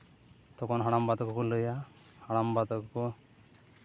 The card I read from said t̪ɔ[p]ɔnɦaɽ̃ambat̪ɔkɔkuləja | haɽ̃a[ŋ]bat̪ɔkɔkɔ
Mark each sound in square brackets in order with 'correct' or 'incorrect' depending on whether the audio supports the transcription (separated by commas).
incorrect, incorrect